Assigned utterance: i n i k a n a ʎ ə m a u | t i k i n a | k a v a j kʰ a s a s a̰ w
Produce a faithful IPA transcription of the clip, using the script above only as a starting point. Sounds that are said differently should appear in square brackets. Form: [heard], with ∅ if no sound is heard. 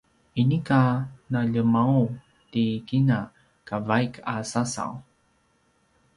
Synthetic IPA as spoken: i n i k a n a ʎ ə m a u | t i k i n a | k a v a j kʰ a s a s a̰ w